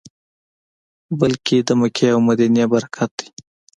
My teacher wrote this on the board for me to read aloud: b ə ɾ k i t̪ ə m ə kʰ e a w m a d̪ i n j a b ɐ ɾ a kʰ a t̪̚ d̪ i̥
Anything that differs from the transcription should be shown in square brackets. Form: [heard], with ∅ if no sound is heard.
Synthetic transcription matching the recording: b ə [l] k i [d̪] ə m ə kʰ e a w m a d̪ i n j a b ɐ ɾ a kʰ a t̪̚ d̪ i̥